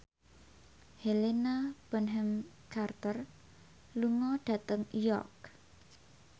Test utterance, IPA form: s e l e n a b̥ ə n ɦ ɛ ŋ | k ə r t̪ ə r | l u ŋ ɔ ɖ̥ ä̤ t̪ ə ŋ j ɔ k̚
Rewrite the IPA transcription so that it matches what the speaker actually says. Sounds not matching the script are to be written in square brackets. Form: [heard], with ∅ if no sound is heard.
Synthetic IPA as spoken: [h] e l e n a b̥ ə n ɦ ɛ [m] | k [a] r t̪ ə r | l u ŋ ɔ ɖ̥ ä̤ t̪ ə ŋ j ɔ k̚